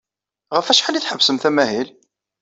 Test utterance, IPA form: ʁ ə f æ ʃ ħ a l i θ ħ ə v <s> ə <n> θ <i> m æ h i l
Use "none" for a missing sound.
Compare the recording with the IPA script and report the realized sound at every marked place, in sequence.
s, m, æ

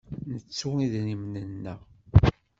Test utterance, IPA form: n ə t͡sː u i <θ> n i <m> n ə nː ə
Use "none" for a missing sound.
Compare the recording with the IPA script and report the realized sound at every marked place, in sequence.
ð, m

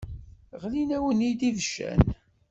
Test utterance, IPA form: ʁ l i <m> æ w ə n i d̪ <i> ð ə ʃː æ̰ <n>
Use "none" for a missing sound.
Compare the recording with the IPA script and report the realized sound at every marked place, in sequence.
n, i, n

